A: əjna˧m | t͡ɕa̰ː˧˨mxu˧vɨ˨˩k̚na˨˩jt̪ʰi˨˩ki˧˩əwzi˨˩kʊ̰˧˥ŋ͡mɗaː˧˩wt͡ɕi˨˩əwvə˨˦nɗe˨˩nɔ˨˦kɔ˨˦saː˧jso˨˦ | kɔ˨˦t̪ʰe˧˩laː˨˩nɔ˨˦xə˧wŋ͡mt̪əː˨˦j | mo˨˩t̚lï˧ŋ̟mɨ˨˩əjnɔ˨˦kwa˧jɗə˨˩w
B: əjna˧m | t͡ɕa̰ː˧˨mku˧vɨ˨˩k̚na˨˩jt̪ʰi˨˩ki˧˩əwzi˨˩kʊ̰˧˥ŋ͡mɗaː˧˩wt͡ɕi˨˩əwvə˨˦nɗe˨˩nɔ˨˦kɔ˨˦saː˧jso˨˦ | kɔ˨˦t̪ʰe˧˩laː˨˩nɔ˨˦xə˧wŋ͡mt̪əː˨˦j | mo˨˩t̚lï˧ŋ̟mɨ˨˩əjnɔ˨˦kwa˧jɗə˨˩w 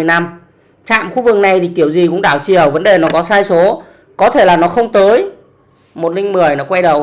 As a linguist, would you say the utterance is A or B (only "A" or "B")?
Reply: A